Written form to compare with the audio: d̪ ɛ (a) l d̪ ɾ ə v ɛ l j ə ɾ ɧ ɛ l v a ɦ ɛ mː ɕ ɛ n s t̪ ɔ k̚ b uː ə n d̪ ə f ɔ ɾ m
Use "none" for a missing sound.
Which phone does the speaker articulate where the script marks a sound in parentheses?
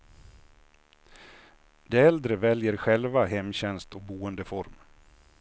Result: ɛ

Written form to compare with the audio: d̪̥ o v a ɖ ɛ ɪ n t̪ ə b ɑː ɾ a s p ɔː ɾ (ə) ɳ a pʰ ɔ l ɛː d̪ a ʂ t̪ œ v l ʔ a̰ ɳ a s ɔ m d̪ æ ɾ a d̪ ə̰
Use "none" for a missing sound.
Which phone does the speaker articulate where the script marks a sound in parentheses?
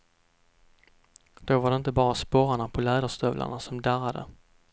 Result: a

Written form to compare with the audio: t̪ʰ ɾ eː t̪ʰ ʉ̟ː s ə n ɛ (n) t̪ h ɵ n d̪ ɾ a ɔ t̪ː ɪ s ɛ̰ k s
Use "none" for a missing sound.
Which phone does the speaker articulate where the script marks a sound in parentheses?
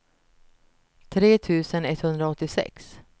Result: none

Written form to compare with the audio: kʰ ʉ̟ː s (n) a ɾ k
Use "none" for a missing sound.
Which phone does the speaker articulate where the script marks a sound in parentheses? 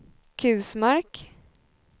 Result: m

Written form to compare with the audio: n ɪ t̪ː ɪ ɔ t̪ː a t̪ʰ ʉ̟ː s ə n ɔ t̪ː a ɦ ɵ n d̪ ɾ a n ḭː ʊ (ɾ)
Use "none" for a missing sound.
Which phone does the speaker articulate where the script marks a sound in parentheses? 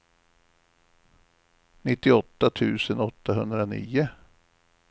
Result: none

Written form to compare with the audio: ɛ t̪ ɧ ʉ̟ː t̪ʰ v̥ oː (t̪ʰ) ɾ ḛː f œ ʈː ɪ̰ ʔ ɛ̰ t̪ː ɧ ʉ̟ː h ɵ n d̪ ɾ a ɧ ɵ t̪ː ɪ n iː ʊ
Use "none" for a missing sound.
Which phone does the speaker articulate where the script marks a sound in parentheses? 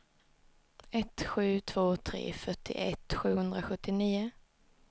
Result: t̪ʰ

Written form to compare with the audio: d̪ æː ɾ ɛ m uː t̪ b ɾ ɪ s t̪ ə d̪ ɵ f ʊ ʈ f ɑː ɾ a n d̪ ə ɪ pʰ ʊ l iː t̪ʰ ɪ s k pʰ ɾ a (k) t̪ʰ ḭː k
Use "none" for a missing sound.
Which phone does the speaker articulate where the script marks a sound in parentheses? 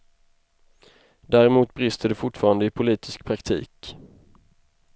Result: k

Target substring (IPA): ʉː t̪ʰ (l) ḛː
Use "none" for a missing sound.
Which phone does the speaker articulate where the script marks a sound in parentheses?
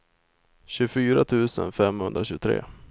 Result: ɾ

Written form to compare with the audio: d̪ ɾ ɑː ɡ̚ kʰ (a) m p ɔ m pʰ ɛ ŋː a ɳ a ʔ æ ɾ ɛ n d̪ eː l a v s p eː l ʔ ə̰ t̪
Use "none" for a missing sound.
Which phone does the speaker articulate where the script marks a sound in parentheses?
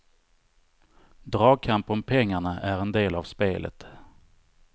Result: a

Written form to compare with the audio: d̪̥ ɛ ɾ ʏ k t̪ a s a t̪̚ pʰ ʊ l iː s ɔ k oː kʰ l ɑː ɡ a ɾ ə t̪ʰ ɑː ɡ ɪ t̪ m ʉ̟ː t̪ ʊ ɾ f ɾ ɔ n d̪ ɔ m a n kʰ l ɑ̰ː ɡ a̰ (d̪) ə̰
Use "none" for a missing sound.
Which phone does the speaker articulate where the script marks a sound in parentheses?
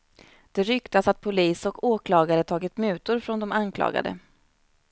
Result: d̪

